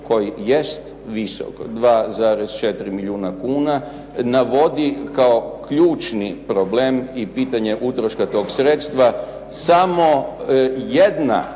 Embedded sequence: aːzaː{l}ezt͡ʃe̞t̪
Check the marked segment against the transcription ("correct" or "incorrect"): incorrect